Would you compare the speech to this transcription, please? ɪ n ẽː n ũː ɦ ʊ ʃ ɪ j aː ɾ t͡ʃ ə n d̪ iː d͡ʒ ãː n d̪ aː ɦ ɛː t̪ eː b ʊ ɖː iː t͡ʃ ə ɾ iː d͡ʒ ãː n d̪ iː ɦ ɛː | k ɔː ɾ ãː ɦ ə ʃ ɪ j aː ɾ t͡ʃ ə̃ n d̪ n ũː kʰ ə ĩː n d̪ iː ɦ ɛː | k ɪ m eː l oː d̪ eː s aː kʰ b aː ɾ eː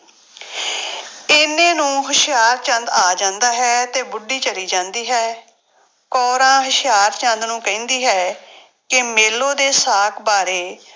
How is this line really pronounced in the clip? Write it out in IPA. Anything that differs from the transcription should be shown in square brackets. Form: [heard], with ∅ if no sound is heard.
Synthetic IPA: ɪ n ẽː n ũː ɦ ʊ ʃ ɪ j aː ɾ t͡ʃ ə n d̪ [aː] d͡ʒ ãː n d̪ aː ɦ ɛː t̪ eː b ʊ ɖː iː t͡ʃ ə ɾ iː d͡ʒ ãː n d̪ iː ɦ ɛː | k ɔː ɾ ãː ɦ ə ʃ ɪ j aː ɾ t͡ʃ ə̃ n d̪ n ũː [k] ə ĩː n d̪ iː ɦ ɛː | k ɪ m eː l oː d̪ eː s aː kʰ b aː ɾ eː

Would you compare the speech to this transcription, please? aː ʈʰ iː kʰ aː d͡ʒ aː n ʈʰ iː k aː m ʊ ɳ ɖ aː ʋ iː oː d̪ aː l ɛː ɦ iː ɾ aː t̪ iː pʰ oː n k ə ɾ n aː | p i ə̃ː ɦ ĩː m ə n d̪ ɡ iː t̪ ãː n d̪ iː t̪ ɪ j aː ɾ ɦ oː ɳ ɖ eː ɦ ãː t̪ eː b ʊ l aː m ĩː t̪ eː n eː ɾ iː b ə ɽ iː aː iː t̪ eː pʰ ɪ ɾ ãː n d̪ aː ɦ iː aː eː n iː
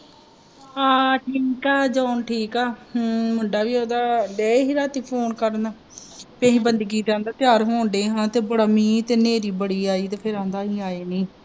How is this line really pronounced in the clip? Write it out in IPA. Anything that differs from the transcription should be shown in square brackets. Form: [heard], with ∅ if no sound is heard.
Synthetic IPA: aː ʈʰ iː [k] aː d͡ʒ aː n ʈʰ iː k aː m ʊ ɳ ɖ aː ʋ iː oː d̪ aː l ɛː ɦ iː ɾ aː t̪ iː pʰ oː n k ə ɾ n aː | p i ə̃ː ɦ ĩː [b] ə n d̪ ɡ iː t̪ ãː n d̪ [aː] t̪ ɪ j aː ɾ ɦ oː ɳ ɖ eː ɦ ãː t̪ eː b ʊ [ɽ] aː m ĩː t̪ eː n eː ɾ iː b ə ɽ iː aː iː t̪ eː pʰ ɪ ɾ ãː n d̪ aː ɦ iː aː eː n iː

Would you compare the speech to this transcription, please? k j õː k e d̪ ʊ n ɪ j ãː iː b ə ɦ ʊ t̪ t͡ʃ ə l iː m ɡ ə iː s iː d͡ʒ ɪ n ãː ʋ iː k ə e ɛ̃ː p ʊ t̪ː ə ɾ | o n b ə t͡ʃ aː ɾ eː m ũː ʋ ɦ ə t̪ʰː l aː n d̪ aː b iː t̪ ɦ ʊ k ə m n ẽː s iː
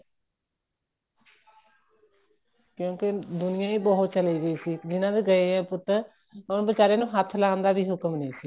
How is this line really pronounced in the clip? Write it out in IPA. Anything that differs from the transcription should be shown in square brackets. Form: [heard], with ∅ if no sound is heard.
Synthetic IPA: k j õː k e d̪ ʊ n ɪ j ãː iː b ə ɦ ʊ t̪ t͡ʃ ə l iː [∅] ɡ ə iː s iː d͡ʒ ɪ n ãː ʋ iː [ɡ] ə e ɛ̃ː p ʊ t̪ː ə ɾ | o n b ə t͡ʃ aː ɾ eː [n] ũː [∅] ɦ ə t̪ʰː l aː n d̪ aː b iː [∅] ɦ ʊ k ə m n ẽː s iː

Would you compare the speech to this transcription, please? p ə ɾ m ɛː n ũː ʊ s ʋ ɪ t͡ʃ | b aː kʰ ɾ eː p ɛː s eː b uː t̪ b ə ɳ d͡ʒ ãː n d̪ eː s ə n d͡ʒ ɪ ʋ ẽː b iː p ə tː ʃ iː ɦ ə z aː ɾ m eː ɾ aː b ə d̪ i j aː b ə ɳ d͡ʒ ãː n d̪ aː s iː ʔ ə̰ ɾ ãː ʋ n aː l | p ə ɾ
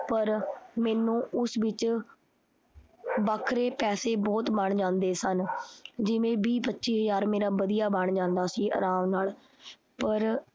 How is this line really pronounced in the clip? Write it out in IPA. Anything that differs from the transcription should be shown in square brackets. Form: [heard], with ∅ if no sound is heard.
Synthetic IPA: p ə ɾ m ɛː n ũː ʊ s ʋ ɪ t͡ʃ | b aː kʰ ɾ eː p ɛː s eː b [ɔː] t̪ b ə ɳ d͡ʒ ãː n d̪ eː s ə n d͡ʒ ɪ ʋ ẽː b iː p ə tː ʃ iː ɦ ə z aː ɾ m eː ɾ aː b ə d̪ i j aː b ə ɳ d͡ʒ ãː n d̪ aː s iː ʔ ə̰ ɾ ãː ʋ n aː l | p ə ɾ

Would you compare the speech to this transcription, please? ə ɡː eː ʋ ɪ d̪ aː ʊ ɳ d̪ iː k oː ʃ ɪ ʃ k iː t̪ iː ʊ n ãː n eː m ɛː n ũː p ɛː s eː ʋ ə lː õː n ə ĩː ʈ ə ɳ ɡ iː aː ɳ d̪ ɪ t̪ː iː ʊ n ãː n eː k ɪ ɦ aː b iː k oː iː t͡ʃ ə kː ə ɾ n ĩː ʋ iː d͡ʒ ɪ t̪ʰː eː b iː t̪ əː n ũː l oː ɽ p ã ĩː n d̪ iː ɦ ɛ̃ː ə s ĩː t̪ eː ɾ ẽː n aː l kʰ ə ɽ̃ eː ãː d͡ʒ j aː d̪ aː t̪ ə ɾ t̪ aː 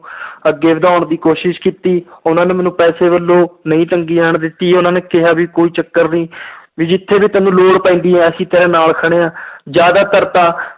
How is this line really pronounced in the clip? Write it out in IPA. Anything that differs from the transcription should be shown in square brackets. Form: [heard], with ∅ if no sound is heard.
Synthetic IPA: ə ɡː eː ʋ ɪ d̪ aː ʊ ɳ d̪ iː k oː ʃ ɪ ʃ k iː t̪ iː ʊ n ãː n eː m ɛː n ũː p ɛː s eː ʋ ə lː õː n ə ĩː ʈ ə [ŋ] ɡ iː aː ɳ d̪ ɪ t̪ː iː ʊ n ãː n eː k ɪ ɦ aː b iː k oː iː t͡ʃ ə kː ə ɾ n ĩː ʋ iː d͡ʒ ɪ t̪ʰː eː b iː t̪ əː n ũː l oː ɽ p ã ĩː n d̪ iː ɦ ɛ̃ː ə s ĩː t̪ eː ɾ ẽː n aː l kʰ ə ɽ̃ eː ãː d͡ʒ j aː d̪ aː t̪ ə ɾ t̪ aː

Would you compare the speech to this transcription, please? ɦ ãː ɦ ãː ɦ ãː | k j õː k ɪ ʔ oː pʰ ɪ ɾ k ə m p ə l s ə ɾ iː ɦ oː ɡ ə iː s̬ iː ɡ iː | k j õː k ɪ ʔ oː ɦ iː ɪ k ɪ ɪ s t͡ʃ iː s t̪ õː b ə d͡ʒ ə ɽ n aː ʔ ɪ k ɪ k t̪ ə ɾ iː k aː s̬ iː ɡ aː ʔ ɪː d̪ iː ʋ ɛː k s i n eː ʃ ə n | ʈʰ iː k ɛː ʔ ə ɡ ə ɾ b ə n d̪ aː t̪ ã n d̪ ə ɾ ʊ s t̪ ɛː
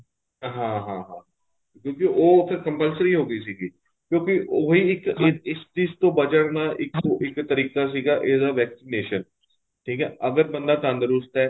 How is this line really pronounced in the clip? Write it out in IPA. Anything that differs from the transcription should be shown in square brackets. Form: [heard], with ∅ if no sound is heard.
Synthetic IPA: ɦ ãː ɦ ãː ɦ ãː | k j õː k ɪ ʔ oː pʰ ɪ ɾ k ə m p ə l s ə ɾ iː ɦ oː ɡ ə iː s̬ iː ɡ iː | k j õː k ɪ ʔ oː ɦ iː ɪ k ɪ ɪ s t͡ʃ iː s t̪ õː b ə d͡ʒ ə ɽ n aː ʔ ɪ k ɪ k t̪ ə ɾ iː k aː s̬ iː ɡ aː ʔ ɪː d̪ [aː] ʋ ɛː k s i n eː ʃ ə n | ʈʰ iː k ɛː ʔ ə ɡ ə ɾ b ə n d̪ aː t̪ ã n d̪ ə ɾ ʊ s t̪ ɛː

